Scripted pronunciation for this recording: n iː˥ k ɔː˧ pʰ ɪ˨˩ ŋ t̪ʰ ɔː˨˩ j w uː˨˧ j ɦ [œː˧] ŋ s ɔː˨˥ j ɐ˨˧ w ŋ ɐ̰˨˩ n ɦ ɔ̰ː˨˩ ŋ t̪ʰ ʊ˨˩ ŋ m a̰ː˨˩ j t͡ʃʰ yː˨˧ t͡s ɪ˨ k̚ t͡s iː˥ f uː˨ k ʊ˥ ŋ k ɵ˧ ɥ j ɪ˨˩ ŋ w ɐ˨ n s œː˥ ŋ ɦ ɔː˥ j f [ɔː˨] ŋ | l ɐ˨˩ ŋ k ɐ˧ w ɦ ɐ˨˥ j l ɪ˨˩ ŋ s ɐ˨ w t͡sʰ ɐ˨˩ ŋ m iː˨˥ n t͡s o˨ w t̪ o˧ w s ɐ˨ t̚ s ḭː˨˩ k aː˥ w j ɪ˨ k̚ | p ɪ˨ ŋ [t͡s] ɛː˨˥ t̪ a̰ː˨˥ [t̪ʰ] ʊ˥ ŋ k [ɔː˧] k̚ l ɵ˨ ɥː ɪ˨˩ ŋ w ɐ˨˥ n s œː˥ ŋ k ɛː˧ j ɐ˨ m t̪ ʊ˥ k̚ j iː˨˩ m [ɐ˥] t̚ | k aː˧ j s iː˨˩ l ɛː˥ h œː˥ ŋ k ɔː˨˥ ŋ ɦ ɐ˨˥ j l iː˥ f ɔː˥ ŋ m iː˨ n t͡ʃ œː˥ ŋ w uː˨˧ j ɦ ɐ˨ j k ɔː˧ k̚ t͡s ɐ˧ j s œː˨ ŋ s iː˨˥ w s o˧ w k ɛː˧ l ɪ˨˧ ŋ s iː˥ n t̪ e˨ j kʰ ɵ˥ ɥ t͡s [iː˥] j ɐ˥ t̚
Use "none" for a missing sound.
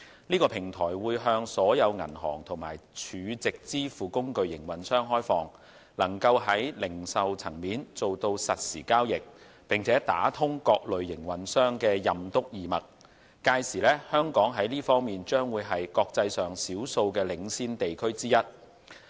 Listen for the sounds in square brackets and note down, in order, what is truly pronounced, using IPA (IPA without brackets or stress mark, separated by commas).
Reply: œː˧, ɔː˨, t͡sʰ, t̪ʰ, ɔː˧, ɐ˨˩, iː˥